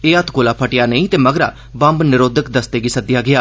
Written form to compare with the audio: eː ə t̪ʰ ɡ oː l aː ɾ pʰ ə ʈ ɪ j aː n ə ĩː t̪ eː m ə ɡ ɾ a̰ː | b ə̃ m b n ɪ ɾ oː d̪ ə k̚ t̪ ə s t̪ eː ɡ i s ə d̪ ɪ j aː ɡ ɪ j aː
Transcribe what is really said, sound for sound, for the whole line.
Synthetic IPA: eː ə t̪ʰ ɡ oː l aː pʰ ə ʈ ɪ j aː n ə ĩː t̪ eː m ə ɡ ɾ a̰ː | b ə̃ m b n ɪ ɾ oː d̪ ə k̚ d̪ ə s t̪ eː ɡ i s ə d̪ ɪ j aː ɡ ɪ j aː

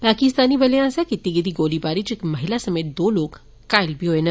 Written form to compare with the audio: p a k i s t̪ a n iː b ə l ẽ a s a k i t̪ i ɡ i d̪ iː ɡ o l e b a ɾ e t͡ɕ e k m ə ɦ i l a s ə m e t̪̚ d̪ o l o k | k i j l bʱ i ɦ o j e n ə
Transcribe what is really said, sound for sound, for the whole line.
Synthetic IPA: p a k i s t̪ a n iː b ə l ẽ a s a k i t̪ i ɡ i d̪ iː ɡ o l i b a ɾ i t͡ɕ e k m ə ɦ i l a s ə m e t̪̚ d̪ o l o k | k a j l bʱ i ɦ o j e n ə

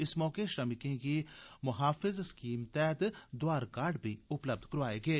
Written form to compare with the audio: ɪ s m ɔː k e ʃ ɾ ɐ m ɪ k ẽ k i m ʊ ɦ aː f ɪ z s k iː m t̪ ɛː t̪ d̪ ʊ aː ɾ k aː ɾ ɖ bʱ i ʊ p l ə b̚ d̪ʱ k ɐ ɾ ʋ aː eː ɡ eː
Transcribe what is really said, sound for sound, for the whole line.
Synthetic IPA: ɪ s m ɔː k e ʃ ɾ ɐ m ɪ k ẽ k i m ʊ ɦ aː f ɪ z s k iː m t̪ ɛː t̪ d̪ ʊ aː ɾ k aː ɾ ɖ bʱ i ʊ p l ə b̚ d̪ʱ k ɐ ɾ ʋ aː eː ɡ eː

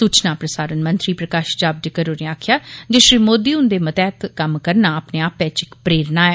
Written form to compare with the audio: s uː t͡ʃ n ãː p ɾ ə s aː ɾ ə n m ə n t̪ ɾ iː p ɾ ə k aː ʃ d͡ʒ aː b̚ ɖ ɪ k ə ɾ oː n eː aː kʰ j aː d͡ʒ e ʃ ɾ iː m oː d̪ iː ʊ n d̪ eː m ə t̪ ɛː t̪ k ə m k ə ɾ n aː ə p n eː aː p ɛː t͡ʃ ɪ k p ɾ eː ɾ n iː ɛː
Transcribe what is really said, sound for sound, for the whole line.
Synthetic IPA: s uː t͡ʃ n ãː p ɾ ə s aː ɾ ə n m ə n t̪ ɾ iː p ɾ ə k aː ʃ d͡ʒ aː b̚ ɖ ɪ k ə ɾ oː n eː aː kʰ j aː d͡ʒ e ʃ ɾ iː m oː d̪ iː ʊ n d̪ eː m ə t̪ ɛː t̪ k ə m k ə ɾ n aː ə p n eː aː p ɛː t͡ʃ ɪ k p ɾ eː ɾ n aː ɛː

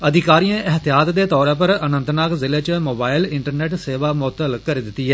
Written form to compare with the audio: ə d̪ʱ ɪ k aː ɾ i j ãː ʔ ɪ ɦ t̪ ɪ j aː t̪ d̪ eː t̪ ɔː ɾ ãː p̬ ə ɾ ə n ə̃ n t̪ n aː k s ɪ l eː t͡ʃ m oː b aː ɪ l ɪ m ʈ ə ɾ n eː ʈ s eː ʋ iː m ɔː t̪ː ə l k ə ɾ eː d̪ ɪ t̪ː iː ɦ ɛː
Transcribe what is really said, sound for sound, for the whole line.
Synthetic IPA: ə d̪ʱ ɪ k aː ɾ i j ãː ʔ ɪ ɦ t̪ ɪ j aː t̪ d̪ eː t̪ ɔː ɾ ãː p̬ ə ɾ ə n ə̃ n t̪ n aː k z ɪ l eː t͡ʃ m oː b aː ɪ l ɪ ɳ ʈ ə ɾ n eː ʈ s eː ʋ aː m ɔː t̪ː ə l k ə ɾ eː d̪ ɪ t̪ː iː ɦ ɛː

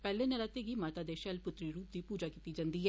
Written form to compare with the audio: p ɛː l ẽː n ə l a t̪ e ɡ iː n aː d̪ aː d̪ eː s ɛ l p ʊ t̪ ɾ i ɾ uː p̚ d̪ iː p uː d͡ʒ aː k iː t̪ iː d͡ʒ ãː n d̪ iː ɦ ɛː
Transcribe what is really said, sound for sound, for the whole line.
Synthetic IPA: p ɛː l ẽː n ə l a t̪ e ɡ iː m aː t̪ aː d̪ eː ʃ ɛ l p ʊ t̪ ɾ i ɾ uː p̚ d̪ iː p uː d͡ʒ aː k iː t̪ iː d͡ʒ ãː n d̪ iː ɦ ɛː

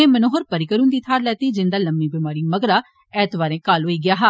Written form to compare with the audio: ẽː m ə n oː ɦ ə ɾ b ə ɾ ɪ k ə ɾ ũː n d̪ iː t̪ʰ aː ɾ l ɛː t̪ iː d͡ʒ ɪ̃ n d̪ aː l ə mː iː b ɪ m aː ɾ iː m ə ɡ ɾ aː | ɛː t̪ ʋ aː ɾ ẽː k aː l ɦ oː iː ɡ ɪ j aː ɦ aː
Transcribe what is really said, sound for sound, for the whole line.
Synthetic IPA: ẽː m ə n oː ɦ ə ɾ p ə ɾ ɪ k ə ɾ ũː n d̪ iː t̪ʰ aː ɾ l ɛː t̪ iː d͡ʒ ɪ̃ n d̪ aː l ə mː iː b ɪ m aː ɾ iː m ə ɡ ɾ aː | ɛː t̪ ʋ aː ɾ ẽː k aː l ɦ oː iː ɡ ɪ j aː ɦ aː

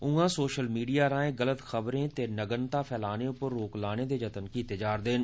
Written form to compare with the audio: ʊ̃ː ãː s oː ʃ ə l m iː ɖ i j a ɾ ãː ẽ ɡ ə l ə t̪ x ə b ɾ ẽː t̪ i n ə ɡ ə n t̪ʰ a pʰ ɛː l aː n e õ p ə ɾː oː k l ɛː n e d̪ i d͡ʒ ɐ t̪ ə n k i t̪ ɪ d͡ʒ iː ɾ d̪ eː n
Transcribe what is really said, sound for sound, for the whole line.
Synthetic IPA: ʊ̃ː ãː s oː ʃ ə l m iː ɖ i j a ɾ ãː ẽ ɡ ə l ə t̪ x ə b ɾ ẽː t̪ e n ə ɡ ə n t̪ a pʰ ɛː l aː n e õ p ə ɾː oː k l aː n e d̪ e d͡ʒ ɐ t̪ ə n k i t̪ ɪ d͡ʒ aː ɾ d̪ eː n

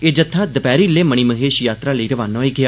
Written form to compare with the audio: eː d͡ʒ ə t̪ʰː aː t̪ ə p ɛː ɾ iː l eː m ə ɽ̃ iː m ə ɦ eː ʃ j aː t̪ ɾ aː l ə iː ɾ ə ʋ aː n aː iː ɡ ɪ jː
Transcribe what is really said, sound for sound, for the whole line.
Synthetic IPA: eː d͡ʒ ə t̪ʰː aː d̪ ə p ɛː ɾ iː l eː m ə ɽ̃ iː m ə ɦ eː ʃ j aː t̪ ɾ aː l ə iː ɾ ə ʋ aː n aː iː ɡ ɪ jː

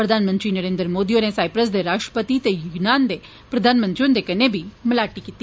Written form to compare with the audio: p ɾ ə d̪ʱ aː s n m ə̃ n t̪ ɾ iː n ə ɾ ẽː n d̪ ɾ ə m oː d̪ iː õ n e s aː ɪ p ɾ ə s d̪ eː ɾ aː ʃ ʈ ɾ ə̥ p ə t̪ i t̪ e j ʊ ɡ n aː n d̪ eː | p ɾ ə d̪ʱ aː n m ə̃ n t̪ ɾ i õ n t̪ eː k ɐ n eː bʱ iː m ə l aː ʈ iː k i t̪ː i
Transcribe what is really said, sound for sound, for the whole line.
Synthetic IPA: p ɾ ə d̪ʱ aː n m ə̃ n t̪ ɾ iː n ə ɾ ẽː n d̪ ɾ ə m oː d̪ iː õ n e s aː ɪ p ɾ ə s d̪ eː ɾ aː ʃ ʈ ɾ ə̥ p ə t̪ i t̪ e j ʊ ɡ n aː n d̪ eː | p ɾ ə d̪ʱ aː n m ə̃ n t̪ ɾ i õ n d̪ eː k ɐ n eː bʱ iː m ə l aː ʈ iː k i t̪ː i

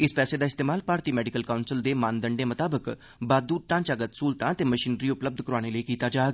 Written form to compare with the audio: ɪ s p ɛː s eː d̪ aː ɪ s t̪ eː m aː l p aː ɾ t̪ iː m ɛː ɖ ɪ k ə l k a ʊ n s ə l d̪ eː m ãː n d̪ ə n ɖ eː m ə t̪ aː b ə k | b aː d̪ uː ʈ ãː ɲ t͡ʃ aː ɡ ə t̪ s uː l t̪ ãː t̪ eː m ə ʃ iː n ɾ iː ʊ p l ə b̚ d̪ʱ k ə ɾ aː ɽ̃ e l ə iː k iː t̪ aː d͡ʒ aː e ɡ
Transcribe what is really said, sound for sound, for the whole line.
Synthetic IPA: ɪ s p ɛː s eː d̪ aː ɪ s t̪ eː m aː l p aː ɾ t̪ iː m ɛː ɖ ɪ k ə l k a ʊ n s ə l d̪ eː m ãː n d̪ ə ɳ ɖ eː m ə t̪ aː b ə k | b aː d̪ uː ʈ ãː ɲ t͡ʃ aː ɡ ə t̪ s uː l t̪ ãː t̪ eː m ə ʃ iː n ɾ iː ʊ p l ə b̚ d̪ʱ k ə ɾ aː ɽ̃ e l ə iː k iː t̪ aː d͡ʒ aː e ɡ

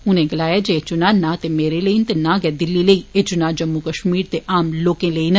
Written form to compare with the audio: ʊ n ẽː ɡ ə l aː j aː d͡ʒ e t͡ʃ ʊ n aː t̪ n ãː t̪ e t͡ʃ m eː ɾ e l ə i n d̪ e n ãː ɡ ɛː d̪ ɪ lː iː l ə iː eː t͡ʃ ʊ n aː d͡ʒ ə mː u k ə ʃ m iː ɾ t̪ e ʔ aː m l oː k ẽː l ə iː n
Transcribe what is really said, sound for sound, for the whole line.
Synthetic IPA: ʊ n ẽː ɡ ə l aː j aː d͡ʒ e t͡ʃ ʊ n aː n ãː t̪ e m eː ɾ e l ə i n t̪ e n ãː ɡ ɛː d̪ ɪ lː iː l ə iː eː t͡ʃ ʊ n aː d͡ʒ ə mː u k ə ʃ m iː ɾ t̪ e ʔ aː m l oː k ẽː l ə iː n

